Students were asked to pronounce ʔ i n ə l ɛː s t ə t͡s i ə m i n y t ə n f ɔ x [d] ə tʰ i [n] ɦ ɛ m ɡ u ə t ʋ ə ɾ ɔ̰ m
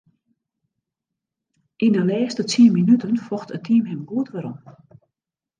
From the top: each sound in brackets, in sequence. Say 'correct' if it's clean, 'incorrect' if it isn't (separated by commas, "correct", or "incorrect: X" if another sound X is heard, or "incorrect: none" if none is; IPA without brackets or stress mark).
incorrect: t, incorrect: m